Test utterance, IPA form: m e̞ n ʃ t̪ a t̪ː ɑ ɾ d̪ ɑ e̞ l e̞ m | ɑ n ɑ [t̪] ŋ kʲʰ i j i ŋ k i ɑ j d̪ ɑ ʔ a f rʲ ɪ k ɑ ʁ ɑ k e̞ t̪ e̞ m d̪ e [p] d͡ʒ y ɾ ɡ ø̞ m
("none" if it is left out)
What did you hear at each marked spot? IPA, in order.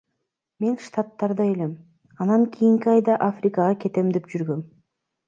none, p

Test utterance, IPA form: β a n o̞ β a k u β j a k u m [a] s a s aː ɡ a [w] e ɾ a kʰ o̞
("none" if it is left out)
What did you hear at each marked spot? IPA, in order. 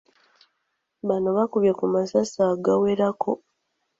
a, w

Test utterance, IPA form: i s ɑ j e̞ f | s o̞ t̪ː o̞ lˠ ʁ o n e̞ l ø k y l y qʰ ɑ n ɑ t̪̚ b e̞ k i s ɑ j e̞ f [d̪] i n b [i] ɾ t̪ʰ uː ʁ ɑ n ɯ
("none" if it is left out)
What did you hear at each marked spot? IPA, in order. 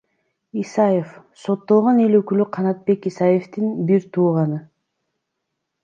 t̪, i

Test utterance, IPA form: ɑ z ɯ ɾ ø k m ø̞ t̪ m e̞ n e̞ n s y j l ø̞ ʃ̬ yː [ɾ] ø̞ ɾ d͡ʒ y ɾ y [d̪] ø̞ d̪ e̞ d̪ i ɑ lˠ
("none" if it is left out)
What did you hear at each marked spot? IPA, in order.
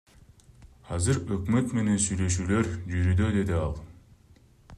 l, d̪

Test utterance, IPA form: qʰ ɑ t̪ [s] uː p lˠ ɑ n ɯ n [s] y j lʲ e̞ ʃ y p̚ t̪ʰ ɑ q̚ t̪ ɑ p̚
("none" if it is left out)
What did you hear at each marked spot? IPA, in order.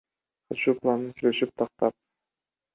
ʃ, s

